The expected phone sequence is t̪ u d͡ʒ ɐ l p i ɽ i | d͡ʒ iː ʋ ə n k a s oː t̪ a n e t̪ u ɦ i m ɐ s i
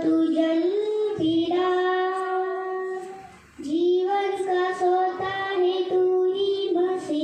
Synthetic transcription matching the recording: t̪ u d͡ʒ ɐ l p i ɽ a | d͡ʒ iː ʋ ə n k a s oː t̪ a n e t̪ u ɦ i m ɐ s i